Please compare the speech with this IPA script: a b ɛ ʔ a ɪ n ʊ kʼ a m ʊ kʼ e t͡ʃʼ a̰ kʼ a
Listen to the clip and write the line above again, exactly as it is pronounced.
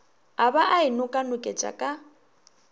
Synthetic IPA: a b a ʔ a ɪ n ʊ kʼ a n ʊ kʼ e t͡ʃʼ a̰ kʼ a